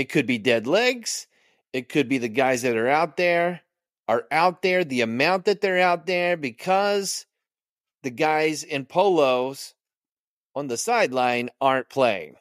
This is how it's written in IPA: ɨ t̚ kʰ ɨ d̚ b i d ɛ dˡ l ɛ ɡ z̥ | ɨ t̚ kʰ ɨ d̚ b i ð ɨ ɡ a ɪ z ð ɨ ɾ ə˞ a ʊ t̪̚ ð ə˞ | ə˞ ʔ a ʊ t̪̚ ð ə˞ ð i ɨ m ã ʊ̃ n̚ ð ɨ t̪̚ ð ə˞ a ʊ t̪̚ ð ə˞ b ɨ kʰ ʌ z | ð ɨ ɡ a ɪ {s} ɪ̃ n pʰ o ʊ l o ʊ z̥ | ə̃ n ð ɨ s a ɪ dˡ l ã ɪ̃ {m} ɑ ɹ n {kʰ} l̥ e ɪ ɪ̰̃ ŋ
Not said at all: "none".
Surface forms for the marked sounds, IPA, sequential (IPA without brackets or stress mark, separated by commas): z, n, pʰ